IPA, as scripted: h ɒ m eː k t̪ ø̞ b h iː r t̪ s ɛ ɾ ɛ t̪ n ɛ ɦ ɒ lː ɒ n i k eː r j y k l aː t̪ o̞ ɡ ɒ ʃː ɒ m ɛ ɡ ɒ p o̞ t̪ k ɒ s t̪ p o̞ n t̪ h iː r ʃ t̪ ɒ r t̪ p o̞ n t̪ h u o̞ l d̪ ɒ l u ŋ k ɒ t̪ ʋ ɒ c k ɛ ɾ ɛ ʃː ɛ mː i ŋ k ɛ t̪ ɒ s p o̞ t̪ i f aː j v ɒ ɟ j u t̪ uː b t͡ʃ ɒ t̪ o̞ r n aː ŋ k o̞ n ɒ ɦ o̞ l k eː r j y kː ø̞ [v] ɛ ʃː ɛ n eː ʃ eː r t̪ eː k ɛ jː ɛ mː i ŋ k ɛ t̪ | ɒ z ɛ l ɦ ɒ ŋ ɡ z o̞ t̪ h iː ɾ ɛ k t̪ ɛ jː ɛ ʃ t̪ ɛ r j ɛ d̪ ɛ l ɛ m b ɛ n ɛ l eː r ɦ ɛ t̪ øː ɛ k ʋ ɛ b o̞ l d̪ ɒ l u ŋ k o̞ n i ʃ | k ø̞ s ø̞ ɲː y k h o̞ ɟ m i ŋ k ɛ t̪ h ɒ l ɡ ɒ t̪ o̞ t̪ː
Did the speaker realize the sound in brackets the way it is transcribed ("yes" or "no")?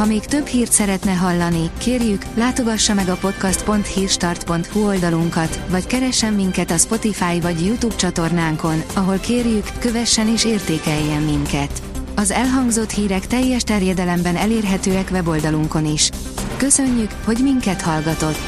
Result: yes